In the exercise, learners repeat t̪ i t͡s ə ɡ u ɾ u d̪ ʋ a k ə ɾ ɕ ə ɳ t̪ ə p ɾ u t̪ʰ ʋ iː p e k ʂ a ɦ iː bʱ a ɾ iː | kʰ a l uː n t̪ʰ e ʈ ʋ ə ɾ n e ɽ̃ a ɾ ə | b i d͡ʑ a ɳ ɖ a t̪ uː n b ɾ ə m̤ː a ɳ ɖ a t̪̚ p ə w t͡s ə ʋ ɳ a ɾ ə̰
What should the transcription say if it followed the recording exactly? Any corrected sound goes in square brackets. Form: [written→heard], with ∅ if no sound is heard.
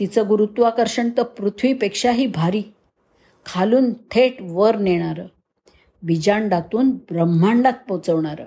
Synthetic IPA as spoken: t̪ i t͡s ə ɡ u ɾ u [d̪→t̪] ʋ a k ə ɾ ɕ ə ɳ t̪ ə p ɾ u t̪ʰ ʋ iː p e k ʂ a ɦ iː bʱ a ɾ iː | kʰ a l uː n t̪ʰ e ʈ ʋ ə ɾ n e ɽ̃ a ɾ ə | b i d͡ʑ a ɳ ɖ a t̪ uː n b ɾ ə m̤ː a ɳ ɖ a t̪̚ p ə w t͡s ə ʋ ɳ a ɾ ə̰